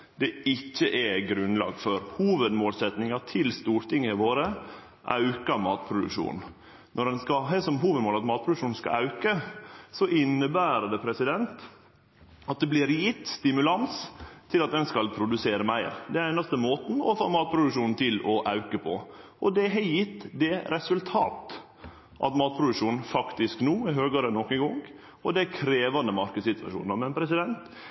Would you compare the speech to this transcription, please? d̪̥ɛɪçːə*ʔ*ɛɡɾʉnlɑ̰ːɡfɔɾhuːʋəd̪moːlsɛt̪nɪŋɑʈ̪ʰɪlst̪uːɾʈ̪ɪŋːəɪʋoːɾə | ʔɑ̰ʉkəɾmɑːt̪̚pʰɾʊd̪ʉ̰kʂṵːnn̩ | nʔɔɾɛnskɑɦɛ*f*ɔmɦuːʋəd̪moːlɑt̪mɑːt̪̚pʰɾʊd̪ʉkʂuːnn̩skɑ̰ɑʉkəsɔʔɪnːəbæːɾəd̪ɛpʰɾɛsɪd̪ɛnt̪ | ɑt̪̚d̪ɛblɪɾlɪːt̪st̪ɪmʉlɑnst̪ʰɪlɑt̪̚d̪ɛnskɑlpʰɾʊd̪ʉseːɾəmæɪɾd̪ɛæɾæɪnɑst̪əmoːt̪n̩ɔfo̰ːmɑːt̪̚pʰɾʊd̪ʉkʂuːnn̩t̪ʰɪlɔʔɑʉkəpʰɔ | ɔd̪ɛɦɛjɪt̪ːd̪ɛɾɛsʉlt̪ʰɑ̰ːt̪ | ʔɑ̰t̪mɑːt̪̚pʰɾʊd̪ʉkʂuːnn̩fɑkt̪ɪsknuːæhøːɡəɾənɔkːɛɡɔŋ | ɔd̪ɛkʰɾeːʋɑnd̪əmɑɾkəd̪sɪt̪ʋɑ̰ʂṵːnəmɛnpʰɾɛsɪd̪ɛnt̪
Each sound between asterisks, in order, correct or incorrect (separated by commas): correct, incorrect